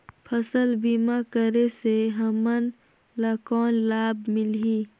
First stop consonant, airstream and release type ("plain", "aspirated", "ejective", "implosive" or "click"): aspirated